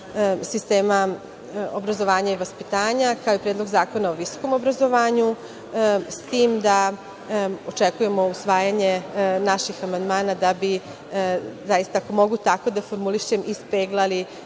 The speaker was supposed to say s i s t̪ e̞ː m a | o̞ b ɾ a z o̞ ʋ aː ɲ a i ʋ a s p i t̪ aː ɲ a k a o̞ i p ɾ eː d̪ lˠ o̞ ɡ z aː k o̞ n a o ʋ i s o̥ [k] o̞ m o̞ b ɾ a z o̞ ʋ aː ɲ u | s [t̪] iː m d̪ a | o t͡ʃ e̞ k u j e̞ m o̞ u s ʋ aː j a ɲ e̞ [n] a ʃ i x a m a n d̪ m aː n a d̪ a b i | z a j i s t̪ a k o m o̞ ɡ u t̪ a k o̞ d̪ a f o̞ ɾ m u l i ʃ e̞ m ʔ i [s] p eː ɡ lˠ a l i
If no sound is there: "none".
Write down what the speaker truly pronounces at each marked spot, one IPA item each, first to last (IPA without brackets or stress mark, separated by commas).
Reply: k, t̪, n, s